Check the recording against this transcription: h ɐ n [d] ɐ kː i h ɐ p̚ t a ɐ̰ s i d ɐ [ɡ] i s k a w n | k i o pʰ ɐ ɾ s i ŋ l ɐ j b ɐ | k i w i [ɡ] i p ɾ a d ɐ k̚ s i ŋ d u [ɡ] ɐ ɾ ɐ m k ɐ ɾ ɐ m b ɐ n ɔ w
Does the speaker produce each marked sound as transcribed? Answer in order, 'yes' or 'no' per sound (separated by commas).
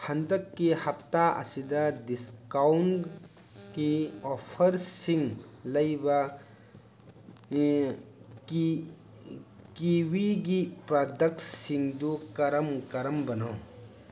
yes, no, yes, no